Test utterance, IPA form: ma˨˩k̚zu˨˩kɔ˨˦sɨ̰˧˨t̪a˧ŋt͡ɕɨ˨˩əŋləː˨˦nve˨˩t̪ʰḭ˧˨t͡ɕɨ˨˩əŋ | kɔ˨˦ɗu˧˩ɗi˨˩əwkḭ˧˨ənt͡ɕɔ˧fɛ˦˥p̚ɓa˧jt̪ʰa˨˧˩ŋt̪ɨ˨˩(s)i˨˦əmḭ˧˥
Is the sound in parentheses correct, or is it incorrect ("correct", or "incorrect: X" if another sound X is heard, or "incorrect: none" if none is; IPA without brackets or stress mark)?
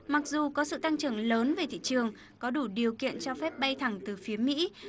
incorrect: f